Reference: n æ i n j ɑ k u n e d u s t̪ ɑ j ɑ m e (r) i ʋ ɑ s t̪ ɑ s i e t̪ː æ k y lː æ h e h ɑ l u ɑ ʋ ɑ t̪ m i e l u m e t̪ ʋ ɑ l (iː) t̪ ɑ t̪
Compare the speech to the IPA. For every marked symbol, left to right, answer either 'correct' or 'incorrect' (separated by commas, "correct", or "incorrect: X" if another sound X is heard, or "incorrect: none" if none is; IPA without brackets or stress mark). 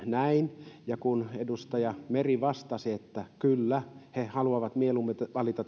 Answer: correct, incorrect: i